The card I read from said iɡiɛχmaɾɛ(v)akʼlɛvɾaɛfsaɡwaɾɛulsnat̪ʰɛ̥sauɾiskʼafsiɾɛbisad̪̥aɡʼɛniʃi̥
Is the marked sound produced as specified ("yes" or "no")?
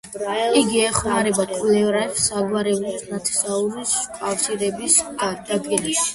no